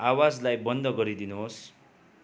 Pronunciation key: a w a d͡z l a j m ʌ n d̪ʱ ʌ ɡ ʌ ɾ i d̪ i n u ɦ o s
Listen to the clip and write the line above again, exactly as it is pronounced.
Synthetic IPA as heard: a w a d͡z l a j b ʌ n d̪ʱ ʌ ɡ ʌ ɾ i d̪ i n u ɦ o s

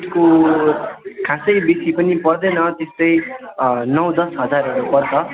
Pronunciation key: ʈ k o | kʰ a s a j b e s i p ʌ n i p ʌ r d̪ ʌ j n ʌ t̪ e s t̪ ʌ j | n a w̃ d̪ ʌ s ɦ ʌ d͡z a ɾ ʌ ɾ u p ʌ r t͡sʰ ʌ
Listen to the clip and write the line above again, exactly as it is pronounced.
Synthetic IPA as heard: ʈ k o | kʰ a s ʌ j b e s i p ʌ n i p ʌ r d̪ ʌ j n ʌ t̪ e s t̪ ʌ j | n ʌ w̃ d̪ ʌ s ɦ ʌ d͡z a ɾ ʌ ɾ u p ʌ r t͡sʰ ʌ

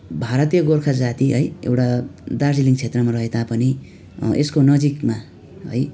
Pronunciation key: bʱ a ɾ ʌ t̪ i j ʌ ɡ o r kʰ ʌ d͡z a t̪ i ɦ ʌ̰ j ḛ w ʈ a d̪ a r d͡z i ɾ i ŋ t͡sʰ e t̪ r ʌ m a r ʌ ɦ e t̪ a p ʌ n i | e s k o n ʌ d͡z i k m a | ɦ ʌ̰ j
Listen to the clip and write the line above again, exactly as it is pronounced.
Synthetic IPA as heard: bʱ a ɾ ʌ t̪ i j ʌ ɡ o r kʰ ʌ d͡z a t̪ i ɦ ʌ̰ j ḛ w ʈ a d̪ a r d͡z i l i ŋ t͡sʰ e t̪ r ʌ m a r ʌ ɦ e t̪ a p ʌ n i | e s k o n ʌ d͡z i k m a | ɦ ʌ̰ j

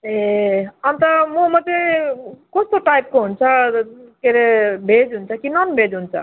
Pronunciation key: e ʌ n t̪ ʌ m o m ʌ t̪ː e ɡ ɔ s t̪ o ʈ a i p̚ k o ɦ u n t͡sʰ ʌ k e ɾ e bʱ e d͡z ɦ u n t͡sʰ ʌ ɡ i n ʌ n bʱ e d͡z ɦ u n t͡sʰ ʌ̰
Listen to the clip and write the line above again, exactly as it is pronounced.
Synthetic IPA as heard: e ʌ n t̪ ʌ m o m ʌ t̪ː e k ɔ s t̪ o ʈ a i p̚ k o ɦ u n t͡sʰ ʌ k e ɾ e bʱ e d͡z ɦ u n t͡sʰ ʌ k i n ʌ n bʱ e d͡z ɦ u n t͡sʰ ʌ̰

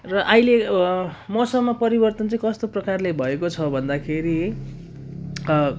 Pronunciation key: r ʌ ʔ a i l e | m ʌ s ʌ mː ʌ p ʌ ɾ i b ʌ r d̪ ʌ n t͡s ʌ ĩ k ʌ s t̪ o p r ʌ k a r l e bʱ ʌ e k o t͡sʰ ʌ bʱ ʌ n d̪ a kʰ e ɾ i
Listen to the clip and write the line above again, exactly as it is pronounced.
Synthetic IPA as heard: r ʌ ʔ a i l e | m ʌ s ʌ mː ʌ p ʌ ɾ i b ʌ r t̪ ʌ n t͡s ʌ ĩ k ʌ s t̪ o p r ʌ k a r l e bʱ ʌ e k o t͡sʰ ʌ bʱ ʌ n d̪ a kʰ e ɾ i

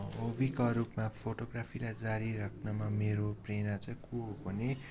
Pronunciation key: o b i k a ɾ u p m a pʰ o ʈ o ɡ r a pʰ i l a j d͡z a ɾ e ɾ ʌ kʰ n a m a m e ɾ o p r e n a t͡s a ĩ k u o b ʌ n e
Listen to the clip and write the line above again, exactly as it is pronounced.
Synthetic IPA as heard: o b i k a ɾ u p m a pʰ o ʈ o ɡ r a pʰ i l a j d͡z a ɾ i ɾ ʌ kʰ n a m a m e ɾ o p r e n a t͡s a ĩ k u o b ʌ n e

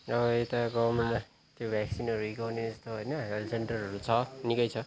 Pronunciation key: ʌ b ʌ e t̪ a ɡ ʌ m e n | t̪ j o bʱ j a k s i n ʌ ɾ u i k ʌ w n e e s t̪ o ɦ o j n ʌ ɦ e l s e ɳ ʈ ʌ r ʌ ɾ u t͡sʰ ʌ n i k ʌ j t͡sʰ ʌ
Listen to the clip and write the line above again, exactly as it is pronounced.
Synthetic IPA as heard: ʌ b ʌ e t̪ a ɡ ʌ m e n | t̪ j o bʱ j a k s i n ʌ ɾ u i k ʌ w n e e s t̪ o ɦ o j n ʌ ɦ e l s e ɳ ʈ ʌ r ʌ ɾ u t͡sʰ ʌ n i k ʌ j t͡sʰ ʌ

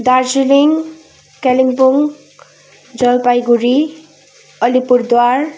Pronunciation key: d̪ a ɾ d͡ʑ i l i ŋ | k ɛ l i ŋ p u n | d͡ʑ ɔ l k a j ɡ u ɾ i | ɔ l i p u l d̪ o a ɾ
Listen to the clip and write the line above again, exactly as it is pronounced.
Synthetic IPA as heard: d̪ a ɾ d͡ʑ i l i ŋ | k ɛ l i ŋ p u ŋ | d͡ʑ ɔ l p a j ɡ u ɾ i | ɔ l i p u ɾ d̪ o a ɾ

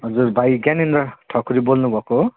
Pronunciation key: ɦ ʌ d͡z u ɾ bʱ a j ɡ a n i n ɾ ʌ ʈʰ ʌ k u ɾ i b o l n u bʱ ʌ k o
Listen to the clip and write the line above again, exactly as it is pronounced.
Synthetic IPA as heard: ɦ ʌ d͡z u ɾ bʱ a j ɡ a n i n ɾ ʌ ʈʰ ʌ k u ɾ i b o l n u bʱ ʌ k o

